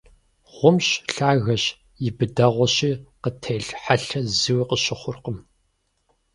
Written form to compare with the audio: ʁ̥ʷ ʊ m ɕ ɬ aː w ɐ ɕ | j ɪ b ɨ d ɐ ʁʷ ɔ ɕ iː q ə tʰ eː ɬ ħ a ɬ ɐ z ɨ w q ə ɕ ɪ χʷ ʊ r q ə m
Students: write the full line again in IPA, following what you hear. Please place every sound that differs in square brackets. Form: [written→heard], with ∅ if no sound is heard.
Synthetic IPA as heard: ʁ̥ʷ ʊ m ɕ ɬ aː [w→ɣ] ɐ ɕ | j ɪ b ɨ d ɐ ʁʷ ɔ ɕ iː q ə tʰ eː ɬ ħ a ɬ ɐ z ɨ w q ə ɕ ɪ χʷ ʊ r q ə m